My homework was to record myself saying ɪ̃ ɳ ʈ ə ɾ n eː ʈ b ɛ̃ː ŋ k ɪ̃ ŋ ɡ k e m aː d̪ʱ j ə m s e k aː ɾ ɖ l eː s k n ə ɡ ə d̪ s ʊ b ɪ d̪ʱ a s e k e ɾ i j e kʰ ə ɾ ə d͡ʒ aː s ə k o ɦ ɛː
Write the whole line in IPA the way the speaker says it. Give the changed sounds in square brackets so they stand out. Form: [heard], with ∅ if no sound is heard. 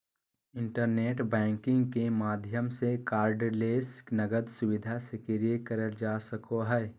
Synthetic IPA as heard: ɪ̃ ɳ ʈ ə ɾ n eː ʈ b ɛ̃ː ŋ k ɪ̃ ŋ ɡ k e m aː d̪ʱ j ə m s e k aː ɾ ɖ l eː s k n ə ɡ ə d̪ s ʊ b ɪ d̪ʱ a s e k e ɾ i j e [k] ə ɾ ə d͡ʒ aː s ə k o ɦ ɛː